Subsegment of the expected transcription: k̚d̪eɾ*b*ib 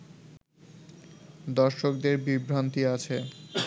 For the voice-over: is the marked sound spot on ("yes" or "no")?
yes